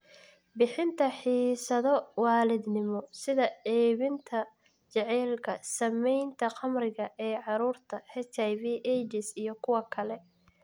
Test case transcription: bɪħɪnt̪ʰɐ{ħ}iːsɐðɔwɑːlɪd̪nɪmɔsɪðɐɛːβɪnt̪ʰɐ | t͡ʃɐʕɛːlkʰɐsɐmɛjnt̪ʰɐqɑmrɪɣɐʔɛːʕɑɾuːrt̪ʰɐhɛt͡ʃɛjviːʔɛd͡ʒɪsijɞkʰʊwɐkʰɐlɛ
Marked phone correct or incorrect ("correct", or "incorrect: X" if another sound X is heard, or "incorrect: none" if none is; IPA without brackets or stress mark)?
correct